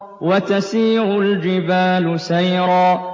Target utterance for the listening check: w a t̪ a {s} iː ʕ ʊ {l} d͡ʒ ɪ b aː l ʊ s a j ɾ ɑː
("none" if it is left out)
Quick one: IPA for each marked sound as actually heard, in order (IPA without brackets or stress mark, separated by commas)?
s, l